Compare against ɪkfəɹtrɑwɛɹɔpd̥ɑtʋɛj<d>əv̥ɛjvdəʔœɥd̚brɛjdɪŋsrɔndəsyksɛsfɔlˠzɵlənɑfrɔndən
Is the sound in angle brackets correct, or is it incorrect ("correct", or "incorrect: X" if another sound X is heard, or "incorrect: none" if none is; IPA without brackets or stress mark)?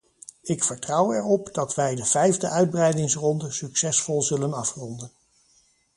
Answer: correct